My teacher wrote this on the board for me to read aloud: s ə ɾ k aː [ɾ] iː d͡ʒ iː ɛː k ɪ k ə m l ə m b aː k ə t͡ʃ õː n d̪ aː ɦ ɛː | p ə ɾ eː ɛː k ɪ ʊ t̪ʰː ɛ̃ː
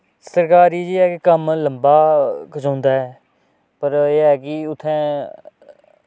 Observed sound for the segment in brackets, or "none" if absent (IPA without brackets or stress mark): ɾ